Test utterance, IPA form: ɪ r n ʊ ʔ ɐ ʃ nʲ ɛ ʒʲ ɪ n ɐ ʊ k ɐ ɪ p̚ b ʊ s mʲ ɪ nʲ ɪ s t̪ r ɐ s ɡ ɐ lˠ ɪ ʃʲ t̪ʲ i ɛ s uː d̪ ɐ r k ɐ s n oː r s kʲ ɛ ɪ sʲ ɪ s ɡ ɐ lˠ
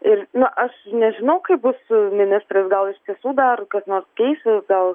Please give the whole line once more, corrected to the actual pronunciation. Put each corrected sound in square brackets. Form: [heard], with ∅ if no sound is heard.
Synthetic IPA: ɪ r n ʊ ʔ ɐ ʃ nʲ ɛ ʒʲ ɪ n ɐ ʊ k ɐ ɪ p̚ b ʊ s mʲ ɪ nʲ ɪ s t̪ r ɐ s ɡ ɐ lˠ ɪ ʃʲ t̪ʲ i ɛ s uː d̪ ɐ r k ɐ s n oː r s kʲ ɛ ɪ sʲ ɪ s ɡ ɐ lˠ